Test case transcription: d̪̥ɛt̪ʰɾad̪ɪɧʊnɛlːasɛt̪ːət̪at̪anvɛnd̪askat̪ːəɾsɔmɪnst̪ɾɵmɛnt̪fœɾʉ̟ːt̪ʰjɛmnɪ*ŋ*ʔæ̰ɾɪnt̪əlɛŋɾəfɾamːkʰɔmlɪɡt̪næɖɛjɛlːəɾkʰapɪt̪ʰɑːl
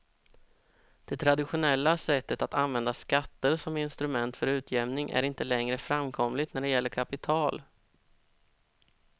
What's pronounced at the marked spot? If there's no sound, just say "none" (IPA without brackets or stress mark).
ŋ